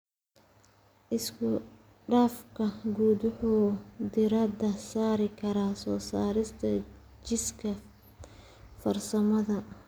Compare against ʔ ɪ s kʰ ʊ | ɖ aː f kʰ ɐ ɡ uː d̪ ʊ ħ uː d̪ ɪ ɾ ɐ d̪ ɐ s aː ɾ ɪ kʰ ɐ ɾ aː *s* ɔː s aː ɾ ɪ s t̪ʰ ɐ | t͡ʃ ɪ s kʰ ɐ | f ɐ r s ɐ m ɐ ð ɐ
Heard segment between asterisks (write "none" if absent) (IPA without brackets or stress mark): s